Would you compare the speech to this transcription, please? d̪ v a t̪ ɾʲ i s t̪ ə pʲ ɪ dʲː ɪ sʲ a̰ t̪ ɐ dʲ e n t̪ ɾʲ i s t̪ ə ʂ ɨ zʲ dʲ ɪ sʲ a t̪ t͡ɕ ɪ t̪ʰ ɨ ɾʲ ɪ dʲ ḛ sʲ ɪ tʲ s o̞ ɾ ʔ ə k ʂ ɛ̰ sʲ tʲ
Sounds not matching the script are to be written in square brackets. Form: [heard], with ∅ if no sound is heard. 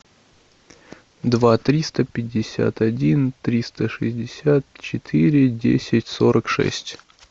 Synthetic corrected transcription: d̪ v a t̪ ɾʲ i s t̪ ə pʲ ɪ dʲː ɪ sʲ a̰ t̪ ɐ dʲ [i] n t̪ ɾʲ i s t̪ ə ʂ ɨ zʲ dʲ ɪ sʲ a t̪ t͡ɕ ɪ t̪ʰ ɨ ɾʲ ɪ dʲ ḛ sʲ ɪ tʲ s o̞ ɾ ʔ ə k ʂ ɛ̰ sʲ tʲ